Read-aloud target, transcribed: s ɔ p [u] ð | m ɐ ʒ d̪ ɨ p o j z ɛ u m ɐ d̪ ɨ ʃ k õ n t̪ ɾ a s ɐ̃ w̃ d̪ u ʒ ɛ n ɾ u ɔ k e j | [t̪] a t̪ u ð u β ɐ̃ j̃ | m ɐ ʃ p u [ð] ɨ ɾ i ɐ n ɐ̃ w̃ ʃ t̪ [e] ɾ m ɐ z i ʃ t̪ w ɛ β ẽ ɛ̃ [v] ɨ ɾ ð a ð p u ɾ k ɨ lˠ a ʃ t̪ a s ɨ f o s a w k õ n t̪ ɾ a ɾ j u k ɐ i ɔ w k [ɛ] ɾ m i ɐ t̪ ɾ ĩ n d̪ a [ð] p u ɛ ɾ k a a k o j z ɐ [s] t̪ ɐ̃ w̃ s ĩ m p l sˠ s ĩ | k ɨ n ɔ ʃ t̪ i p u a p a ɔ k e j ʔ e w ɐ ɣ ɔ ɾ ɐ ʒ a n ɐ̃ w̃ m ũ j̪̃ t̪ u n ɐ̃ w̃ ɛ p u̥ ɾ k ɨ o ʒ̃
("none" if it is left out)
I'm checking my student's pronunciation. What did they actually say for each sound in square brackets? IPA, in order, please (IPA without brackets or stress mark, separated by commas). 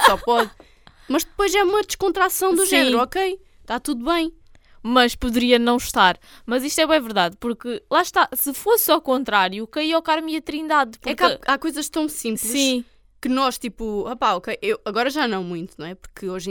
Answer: ɔ, t̪, ð, a, v, a, ð, ʃ